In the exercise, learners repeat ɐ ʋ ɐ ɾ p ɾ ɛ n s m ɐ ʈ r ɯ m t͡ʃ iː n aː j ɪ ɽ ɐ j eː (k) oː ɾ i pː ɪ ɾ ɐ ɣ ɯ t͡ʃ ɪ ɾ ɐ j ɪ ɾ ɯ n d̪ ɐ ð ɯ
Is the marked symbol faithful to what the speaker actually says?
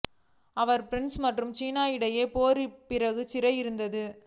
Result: no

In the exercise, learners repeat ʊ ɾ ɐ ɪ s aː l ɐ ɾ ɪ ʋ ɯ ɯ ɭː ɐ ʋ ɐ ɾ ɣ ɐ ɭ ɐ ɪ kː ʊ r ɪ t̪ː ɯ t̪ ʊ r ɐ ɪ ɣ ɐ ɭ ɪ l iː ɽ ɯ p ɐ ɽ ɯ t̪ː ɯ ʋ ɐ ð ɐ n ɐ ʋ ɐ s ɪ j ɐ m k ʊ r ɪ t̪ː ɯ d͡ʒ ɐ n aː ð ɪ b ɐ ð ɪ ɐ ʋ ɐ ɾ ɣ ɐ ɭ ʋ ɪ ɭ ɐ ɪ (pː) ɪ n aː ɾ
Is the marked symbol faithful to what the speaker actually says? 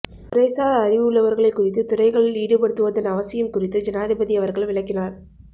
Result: no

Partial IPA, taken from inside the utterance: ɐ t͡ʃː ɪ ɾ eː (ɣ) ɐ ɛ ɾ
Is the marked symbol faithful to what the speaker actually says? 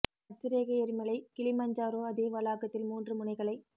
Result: yes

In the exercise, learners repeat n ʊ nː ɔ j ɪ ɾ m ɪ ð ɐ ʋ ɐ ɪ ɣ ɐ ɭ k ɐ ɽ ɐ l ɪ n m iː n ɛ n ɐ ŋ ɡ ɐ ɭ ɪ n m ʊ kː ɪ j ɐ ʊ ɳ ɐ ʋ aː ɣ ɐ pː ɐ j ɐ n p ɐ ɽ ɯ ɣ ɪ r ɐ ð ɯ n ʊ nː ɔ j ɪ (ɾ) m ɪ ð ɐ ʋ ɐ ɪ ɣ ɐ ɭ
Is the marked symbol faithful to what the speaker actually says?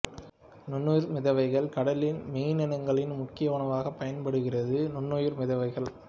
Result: yes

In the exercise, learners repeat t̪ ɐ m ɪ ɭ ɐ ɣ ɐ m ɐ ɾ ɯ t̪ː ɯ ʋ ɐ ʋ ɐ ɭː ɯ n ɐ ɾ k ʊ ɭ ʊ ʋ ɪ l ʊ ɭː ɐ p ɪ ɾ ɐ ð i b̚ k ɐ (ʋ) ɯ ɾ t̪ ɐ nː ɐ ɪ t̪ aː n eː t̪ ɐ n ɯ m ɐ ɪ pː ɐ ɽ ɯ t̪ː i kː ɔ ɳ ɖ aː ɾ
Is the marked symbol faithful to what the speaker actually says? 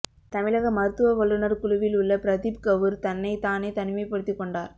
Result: yes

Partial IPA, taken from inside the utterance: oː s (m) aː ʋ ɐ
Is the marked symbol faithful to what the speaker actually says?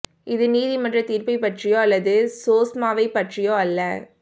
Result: yes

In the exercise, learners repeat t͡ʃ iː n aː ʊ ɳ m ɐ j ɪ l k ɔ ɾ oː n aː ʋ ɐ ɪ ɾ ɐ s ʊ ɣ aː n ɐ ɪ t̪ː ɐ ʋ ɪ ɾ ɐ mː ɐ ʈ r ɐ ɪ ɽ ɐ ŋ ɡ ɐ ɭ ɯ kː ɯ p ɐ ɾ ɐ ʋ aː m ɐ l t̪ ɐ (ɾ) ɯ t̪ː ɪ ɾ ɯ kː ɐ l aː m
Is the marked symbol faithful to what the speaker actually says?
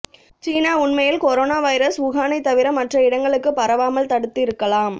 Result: no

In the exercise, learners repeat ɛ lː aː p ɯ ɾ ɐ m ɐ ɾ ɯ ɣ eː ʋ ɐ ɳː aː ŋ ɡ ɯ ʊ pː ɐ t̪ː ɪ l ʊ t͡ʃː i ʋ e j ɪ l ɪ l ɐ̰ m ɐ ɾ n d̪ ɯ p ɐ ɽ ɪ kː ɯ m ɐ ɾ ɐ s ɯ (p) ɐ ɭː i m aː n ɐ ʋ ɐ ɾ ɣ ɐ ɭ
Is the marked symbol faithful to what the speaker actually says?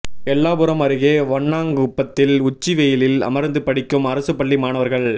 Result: yes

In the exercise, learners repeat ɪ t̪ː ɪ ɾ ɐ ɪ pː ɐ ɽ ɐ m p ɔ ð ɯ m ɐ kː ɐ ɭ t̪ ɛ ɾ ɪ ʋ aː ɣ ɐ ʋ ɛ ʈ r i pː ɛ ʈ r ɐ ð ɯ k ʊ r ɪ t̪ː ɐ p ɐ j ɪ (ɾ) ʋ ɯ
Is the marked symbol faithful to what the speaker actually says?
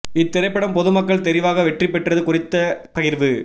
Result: yes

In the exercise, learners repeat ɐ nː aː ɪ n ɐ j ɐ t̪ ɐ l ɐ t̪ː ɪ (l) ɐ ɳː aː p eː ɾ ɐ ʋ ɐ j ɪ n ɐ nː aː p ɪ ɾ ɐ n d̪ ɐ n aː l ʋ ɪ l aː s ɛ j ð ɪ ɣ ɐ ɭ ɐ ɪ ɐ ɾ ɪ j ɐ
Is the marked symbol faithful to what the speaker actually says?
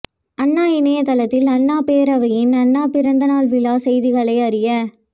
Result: yes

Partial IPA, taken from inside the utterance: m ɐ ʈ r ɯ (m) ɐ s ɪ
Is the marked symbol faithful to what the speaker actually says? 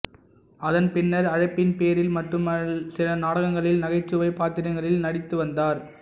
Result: yes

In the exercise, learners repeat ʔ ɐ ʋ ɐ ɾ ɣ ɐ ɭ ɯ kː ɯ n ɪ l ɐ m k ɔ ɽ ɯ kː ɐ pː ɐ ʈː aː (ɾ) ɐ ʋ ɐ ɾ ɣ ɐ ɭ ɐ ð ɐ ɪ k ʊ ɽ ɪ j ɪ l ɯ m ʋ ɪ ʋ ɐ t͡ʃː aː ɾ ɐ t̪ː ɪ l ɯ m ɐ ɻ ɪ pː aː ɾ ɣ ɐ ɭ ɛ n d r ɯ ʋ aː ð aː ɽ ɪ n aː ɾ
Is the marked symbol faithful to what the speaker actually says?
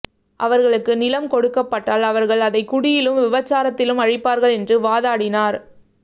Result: no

